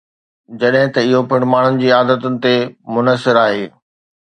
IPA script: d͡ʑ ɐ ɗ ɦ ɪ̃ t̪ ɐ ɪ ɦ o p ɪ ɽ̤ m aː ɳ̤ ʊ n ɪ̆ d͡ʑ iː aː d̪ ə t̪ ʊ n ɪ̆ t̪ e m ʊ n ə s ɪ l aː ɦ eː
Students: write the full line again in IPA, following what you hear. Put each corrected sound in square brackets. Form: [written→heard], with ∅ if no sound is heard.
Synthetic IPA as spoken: d͡ʑ ɐ ɗ ɦ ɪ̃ t̪ ɐ ɪ ɦ o p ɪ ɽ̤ m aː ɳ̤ ʊ n ɪ̆ d͡ʑ iː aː d̪ ə t̪ ʊ n ɪ̆ t̪ e m ʊ n ə s ɪ [l→ɾ] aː ɦ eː